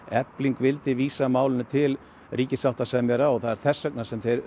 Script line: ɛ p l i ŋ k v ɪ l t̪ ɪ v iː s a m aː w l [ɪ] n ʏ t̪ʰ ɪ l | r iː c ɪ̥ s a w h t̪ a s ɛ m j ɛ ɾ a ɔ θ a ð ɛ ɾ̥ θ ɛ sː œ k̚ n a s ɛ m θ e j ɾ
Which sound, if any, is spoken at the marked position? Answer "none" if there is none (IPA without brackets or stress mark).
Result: ɪ